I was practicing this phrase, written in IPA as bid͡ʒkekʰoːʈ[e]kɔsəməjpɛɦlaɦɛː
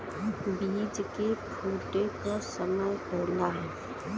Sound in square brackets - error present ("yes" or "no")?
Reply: no